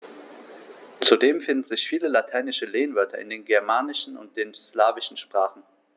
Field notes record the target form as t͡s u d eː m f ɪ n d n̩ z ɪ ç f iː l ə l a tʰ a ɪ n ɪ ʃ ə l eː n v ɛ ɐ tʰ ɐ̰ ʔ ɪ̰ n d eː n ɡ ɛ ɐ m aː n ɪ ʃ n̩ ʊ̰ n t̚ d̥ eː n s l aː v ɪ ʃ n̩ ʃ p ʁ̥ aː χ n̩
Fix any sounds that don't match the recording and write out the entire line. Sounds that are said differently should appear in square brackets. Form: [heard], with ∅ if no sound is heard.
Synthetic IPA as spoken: t͡s u d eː m f ɪ n d n̩ z ɪ ç f iː l ə l a tʰ a ɪ n ɪ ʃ ə l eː n v [œ] ɐ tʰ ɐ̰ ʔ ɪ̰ n d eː n ɡ ɛ ɐ m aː n ɪ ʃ n̩ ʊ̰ n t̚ d̥ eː n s l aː v ɪ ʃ n̩ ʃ p ʁ̥ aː χ n̩